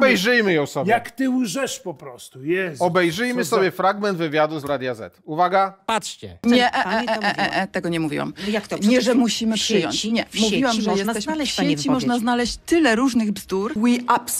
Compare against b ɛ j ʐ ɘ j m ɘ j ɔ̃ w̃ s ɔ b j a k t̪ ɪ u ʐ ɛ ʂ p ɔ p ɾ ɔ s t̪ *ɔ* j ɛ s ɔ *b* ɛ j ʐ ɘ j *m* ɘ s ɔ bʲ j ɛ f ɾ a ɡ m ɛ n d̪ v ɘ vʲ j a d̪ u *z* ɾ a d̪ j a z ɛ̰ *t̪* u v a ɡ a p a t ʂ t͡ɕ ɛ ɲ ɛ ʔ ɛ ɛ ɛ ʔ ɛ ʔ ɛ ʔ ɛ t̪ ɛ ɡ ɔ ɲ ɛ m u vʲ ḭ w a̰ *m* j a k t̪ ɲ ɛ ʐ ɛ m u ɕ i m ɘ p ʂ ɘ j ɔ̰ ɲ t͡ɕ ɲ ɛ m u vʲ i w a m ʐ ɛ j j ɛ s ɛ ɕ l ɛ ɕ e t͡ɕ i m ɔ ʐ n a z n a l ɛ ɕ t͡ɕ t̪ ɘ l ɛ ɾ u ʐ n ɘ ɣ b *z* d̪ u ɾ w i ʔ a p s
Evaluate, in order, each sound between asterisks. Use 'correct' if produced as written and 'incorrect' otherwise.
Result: incorrect, correct, correct, correct, correct, correct, correct

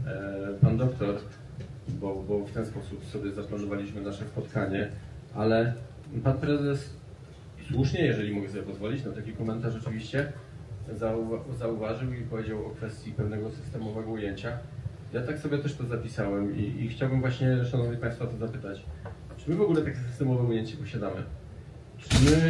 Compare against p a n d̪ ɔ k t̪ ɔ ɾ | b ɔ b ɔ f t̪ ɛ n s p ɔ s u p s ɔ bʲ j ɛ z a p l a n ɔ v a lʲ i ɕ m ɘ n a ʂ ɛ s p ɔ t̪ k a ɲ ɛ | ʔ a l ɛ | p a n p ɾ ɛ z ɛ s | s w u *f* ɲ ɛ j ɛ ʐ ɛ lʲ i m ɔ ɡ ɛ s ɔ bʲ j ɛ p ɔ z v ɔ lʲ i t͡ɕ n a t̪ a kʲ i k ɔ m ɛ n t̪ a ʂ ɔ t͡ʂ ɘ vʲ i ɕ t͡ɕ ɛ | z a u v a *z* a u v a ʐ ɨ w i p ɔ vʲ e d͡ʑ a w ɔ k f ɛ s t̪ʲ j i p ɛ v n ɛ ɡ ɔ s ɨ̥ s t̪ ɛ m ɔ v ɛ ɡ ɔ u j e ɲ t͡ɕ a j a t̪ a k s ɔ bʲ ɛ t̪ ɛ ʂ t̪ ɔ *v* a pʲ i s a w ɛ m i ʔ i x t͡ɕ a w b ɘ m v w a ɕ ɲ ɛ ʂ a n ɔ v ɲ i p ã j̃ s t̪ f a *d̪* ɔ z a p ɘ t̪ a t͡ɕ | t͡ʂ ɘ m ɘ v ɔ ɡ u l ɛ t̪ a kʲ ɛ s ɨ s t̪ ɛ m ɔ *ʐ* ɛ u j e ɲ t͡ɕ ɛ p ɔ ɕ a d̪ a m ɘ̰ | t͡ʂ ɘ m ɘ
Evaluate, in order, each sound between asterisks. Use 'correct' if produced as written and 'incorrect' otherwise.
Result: incorrect, correct, incorrect, incorrect, incorrect

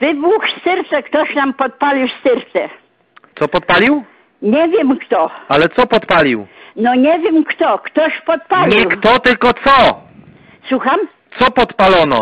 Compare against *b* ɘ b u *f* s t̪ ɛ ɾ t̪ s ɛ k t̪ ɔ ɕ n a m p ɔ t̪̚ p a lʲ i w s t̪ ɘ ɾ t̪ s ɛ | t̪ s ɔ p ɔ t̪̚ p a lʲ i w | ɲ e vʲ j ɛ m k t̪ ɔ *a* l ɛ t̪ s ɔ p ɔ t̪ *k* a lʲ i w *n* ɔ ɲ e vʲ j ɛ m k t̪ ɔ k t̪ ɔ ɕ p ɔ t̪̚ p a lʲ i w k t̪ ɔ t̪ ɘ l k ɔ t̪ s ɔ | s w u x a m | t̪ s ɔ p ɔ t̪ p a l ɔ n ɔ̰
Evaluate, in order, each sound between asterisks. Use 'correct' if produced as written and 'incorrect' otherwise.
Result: incorrect, incorrect, correct, incorrect, correct

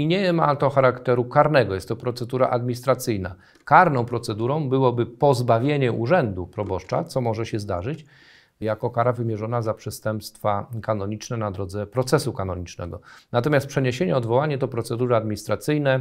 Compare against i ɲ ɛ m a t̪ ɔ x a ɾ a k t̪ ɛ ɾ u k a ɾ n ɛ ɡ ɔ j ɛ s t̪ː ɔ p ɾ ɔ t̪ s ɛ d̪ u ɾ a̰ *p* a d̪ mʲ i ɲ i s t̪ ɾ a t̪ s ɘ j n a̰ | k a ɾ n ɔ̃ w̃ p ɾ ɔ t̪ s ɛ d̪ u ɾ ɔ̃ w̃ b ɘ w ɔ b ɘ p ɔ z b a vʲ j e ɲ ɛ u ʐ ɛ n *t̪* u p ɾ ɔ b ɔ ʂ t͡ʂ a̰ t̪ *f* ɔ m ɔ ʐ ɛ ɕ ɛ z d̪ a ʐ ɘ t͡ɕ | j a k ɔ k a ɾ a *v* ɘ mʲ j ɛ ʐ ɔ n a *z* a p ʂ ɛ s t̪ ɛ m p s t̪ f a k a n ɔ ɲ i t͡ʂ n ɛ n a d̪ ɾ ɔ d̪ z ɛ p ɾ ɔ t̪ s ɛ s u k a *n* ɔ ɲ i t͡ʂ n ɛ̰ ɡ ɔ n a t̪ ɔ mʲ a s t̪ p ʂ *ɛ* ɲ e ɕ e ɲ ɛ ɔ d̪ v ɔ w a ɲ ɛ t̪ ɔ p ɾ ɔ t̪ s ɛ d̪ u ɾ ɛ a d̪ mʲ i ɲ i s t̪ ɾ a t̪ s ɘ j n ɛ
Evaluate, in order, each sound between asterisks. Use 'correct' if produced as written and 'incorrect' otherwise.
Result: incorrect, incorrect, incorrect, correct, correct, correct, correct

